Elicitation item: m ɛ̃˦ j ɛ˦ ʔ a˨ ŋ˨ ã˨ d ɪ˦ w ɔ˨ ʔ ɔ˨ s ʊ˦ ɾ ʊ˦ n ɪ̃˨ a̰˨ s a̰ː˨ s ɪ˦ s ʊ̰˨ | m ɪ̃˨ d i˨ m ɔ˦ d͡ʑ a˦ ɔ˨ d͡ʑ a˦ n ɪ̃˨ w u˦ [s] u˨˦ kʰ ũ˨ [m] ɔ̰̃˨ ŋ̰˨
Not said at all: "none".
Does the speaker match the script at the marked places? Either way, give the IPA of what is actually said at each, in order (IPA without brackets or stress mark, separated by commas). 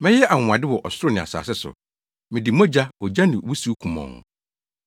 s, m